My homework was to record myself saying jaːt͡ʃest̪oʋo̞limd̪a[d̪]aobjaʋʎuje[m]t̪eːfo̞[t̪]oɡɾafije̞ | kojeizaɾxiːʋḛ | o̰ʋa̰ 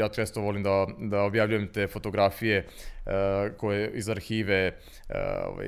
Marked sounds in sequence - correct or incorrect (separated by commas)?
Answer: correct, correct, correct